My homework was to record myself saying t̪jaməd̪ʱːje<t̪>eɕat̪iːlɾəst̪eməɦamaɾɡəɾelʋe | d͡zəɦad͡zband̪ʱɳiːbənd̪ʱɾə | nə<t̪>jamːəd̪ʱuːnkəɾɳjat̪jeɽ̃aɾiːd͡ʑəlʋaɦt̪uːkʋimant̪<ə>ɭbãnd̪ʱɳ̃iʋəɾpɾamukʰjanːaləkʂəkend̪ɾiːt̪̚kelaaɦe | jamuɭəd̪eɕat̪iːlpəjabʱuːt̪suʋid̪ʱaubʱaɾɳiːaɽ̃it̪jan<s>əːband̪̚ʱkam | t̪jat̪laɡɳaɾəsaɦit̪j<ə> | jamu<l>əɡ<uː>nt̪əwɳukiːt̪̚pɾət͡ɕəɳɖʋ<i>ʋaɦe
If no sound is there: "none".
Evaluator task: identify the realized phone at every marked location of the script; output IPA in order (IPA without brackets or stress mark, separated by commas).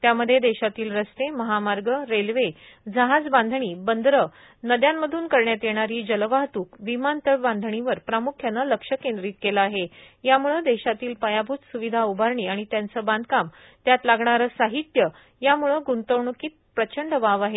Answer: d̪, d̪, ə, t͡s, ə, ɭ, u, a